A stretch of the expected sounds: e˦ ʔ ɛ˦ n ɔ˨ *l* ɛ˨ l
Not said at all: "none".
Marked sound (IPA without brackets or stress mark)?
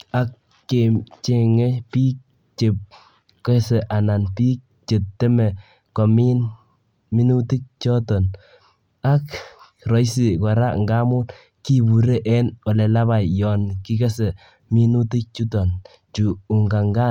l